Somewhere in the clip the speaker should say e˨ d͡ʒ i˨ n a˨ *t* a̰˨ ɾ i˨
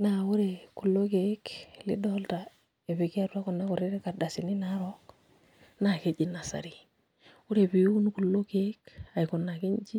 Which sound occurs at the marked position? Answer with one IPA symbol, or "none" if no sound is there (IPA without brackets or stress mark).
s